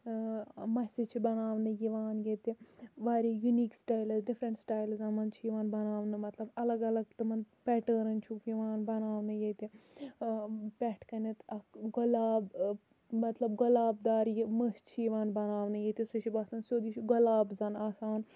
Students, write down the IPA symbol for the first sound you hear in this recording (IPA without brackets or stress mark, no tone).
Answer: m